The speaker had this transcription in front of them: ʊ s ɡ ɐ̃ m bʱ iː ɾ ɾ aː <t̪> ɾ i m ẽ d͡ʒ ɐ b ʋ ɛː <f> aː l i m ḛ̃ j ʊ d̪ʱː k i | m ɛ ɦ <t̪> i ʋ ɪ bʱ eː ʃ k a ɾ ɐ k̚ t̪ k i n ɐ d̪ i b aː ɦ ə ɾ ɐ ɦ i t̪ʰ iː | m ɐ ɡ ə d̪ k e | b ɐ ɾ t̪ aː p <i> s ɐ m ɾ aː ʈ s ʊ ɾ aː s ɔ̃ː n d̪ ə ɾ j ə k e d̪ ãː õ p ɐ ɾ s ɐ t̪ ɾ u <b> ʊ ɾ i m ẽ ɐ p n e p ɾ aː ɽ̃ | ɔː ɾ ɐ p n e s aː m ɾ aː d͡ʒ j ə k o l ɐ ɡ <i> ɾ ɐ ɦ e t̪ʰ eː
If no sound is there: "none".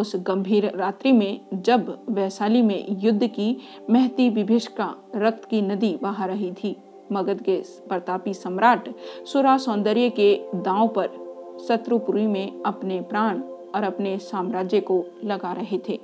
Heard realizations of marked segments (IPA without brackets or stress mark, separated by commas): t̪, s, t̪, i, p, a